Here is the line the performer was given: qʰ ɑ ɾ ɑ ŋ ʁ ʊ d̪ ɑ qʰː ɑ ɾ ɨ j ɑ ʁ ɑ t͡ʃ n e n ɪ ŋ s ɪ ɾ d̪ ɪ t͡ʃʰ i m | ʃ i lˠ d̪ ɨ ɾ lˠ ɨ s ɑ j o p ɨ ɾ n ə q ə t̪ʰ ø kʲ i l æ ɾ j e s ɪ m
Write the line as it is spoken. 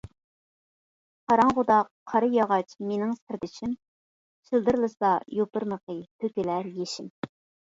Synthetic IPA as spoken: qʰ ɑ ɾ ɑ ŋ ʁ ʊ d̪ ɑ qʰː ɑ ɾ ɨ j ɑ ʁ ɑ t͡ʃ m e n ɪ ŋ s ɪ ɾ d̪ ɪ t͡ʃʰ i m | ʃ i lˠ d̪ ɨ ɾ lˠ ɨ s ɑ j o p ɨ ɾ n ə q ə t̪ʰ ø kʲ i l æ ɾ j e ʃ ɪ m

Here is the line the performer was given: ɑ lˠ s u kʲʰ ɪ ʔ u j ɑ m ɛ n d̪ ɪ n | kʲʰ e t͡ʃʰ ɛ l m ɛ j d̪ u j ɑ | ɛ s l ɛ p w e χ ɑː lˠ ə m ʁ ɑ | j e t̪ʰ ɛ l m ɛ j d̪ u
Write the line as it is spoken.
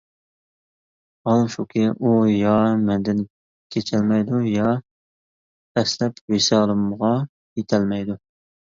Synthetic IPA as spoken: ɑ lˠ ʃ u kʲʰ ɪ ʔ u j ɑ m ɛ n d̪ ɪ n | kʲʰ e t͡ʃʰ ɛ l m ɛ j d̪ u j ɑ | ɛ s l ɛ p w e s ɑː lˠ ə m ʁ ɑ | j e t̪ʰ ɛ l m ɛ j d̪ u

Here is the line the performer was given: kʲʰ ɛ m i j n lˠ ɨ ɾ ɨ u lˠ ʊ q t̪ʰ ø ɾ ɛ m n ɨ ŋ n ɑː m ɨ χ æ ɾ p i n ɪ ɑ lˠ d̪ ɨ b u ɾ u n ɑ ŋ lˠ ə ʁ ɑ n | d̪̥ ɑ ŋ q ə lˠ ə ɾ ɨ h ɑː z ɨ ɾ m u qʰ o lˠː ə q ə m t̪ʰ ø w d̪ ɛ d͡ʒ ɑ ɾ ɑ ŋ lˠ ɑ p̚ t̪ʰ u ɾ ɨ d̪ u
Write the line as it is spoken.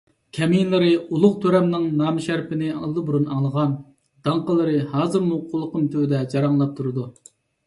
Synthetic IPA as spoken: kʲʰ ɛ m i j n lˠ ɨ ɾ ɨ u lˠ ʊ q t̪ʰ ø ɾ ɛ m n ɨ ŋ n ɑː m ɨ ʃ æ ɾ p ɪ n ɪ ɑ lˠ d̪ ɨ b u ɾ u n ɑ ŋ lˠ ə ʁ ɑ n | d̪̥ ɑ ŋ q ə lˠ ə ɾ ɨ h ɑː z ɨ ɾ m u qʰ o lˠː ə q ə m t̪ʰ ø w d̪ ɛ d͡ʒ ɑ ɾ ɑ ŋ lˠ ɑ p̚ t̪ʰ u ɾ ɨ d̪ u

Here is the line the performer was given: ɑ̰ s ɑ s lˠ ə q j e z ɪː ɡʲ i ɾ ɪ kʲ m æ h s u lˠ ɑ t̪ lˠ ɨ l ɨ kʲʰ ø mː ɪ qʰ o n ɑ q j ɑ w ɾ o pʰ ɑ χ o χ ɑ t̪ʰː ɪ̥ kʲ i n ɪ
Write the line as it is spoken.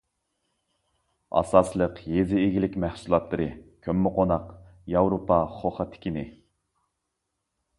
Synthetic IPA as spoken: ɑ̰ s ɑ s lˠ ə q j e z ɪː ɡʲ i l ɪ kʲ m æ h s u lˠ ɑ t̪ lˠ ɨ ɾ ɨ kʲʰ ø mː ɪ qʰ o n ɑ q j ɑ w ɾ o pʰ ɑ χ o χ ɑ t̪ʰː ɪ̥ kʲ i n ɪ

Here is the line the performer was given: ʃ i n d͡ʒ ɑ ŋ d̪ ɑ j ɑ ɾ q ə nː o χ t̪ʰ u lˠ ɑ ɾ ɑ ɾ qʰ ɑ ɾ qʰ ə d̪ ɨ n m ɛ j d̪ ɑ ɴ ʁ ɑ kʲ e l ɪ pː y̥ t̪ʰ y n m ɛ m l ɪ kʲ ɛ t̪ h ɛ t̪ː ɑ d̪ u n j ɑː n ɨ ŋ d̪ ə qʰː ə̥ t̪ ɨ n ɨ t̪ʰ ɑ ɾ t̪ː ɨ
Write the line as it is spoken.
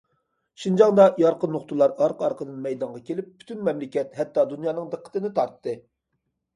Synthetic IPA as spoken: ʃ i n d͡ʒ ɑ ŋ d̪ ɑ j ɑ ɾ q ə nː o χ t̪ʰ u lˠ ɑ ɾ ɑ ɾ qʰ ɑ ɾ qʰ ə d̪ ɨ n m ɛ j d̪ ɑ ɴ ʁ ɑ kʲ e l ɪ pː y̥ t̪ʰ y n m ɛ m l ɪ kʲ ɛ t̪ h ɛ t̪ː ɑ d̪ u n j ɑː n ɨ ŋ d̪ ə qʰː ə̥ t̪ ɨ n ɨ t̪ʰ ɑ ɾ t̪ː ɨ

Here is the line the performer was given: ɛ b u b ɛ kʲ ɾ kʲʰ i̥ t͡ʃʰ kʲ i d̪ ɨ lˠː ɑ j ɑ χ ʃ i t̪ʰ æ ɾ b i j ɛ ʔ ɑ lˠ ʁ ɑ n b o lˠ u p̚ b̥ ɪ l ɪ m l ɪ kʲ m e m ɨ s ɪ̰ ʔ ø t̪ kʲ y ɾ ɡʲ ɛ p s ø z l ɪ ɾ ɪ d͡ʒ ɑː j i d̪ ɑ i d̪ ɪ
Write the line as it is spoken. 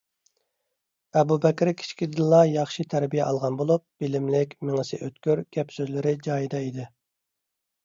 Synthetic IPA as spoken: ɛ b u b ɛ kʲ ɾ kʲʰ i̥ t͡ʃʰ kʲ i d̪ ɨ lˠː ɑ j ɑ χ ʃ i t̪ʰ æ ɾ b i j ɛ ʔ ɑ lˠ ʁ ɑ n b o lˠ u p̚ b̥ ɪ l ɪ m l ɪ kʲ m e ŋ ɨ s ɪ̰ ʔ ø t̪ kʲ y ɾ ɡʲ ɛ p s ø z l ɪ ɾ ɪ d͡ʒ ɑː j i d̪ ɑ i d̪ ɪ

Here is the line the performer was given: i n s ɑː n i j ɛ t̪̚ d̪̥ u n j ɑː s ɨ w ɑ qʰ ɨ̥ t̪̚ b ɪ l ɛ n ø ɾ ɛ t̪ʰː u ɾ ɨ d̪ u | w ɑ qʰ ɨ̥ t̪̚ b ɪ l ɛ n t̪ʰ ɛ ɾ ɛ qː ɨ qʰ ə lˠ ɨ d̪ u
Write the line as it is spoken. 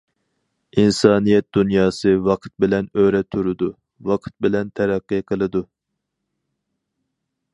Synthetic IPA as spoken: i n s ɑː n i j ɛ t̪̚ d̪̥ u n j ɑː s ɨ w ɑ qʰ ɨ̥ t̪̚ b ɪ l ɛ n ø ɾ ɛ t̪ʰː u ɾ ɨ d̪ u | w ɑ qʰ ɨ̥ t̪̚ b ɪ l ɛ n t̪ʰ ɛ ɾ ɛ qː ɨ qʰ ə lˠ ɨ d̪ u

